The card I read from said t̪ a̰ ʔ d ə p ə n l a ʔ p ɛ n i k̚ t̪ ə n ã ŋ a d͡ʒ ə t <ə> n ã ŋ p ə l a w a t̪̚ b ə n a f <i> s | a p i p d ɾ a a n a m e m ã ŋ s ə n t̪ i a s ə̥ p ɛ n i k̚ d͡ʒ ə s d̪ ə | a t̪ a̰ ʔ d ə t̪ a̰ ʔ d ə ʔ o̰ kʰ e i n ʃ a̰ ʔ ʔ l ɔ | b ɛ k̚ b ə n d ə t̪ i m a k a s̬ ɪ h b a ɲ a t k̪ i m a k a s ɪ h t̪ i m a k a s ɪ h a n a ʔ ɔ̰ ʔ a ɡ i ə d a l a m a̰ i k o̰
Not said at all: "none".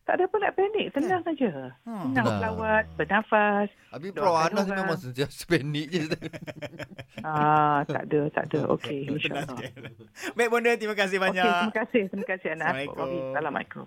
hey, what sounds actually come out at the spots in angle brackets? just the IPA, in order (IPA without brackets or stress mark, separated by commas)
ə, a